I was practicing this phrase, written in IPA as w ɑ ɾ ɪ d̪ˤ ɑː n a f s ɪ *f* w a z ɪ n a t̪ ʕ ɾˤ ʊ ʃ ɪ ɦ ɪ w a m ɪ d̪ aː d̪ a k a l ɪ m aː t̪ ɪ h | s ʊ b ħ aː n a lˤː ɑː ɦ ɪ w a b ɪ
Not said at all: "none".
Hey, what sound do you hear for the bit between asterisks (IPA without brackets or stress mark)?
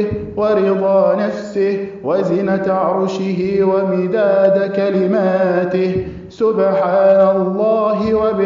h